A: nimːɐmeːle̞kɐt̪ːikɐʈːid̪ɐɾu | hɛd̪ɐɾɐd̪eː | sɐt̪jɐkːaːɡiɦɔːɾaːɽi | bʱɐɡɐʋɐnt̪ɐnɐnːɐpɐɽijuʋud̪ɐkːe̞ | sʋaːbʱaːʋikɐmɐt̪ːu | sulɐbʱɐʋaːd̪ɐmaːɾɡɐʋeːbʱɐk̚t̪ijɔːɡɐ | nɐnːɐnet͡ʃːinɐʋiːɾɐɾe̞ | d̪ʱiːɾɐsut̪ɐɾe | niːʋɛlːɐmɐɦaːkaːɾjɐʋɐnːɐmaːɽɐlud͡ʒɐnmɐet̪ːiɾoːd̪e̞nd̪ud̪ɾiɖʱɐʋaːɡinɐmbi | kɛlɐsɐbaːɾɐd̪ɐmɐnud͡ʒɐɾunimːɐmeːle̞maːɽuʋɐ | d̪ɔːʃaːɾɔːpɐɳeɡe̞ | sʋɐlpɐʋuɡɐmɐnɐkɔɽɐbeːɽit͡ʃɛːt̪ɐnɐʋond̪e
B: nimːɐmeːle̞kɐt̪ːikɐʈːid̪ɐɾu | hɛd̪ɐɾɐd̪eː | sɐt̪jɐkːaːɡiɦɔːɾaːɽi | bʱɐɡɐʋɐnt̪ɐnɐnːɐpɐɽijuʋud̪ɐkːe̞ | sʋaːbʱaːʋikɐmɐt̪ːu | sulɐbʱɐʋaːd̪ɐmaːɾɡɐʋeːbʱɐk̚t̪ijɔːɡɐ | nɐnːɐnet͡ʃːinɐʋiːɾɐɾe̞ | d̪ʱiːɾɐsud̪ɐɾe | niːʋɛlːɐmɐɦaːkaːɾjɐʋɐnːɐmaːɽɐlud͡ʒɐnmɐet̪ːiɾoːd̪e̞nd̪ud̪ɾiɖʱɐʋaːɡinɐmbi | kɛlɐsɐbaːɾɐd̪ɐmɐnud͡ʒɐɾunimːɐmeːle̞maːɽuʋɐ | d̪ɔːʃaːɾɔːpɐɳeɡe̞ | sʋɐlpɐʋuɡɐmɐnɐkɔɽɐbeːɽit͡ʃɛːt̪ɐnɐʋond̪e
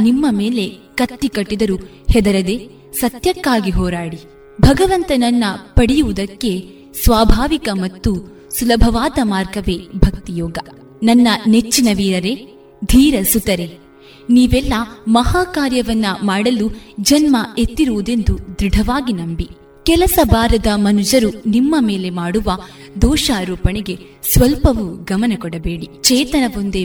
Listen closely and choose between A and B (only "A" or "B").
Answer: A